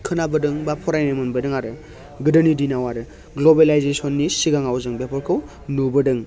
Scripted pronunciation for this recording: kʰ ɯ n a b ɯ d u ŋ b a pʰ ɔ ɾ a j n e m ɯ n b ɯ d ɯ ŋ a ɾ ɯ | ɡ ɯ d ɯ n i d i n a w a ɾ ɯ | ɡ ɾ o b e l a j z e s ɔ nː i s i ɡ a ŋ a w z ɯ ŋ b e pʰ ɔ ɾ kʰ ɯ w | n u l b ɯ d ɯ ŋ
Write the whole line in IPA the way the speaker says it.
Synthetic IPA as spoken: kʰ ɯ n a b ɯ d ɯ ŋ b a pʰ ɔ ɾ a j n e m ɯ n b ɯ d ɯ ŋ a ɾ ɯ | ɡ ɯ d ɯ n i d i n a w a ɾ ɯ | ɡ l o b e l a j z e s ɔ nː i s i ɡ a ŋ a w z ɯ ŋ b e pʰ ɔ ɾ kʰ ɯ w | n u b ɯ d ɯ ŋ